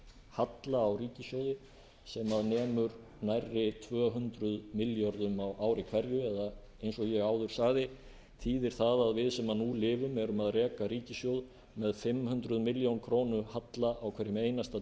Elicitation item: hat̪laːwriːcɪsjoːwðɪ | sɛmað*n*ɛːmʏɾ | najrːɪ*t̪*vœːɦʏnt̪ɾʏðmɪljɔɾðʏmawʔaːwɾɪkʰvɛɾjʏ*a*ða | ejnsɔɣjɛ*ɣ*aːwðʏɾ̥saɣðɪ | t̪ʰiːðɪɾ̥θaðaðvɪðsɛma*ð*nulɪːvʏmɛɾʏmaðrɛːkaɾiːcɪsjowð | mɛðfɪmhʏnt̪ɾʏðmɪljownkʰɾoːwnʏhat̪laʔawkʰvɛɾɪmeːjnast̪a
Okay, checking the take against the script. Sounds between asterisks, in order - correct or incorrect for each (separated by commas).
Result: correct, incorrect, incorrect, correct, correct